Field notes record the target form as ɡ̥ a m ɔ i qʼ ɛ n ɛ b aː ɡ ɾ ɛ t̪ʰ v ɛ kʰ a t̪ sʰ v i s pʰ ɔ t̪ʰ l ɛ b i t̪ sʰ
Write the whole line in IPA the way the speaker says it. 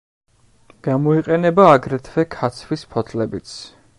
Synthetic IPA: ɡ̥ a m ɔ i qʼ ɛ n ɛ b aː ɡ ɾ ɛ t̪ʰ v ɛ kʰ a t̪ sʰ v i s pʰ ɔ t̪ʰ l ɛ b i t̪ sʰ